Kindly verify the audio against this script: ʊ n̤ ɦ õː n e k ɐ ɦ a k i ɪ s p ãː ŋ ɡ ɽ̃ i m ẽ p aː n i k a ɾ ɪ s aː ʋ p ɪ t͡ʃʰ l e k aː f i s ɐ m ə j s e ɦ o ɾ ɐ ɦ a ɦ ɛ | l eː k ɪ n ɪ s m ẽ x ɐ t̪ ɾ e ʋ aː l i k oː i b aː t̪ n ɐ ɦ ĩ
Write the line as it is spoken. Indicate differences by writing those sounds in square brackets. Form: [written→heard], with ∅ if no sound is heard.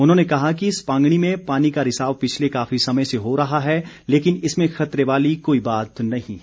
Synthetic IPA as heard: ʊ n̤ ɦ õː n e k ɐ ɦ a k i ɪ s p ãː ŋ ɡ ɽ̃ i m ẽ p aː n i k a ɾ ɪ s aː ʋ p ɪ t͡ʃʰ l e k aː f i s ɐ m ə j s e ɦ o ɾ ɐ ɦ a ɦ ɛ | l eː k ɪ n ɪ s m ẽ x ɐ t̪ ɾ e ʋ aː l i k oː i b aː t̪ n ɐ ɦ ĩ